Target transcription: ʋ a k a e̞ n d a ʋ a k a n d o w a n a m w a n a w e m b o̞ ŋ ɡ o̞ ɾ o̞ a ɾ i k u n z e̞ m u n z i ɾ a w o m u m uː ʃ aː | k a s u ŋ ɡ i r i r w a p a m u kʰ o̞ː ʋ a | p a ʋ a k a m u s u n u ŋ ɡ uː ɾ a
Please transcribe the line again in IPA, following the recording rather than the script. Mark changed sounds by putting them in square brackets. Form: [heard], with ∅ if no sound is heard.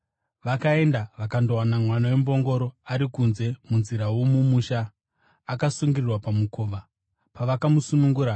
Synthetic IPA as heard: ʋ a k a e̞ n d a ʋ a k a n d o w a n a m w a n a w e m b o̞ ŋ ɡ o̞ ɾ o̞ a ɾ i k u n z e̞ m u n z i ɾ a w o m u m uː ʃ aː | k a s u ŋ ɡ i r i r w a p a m u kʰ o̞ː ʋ a | p a ʋ a k a m u s u n u ŋ ɡ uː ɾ a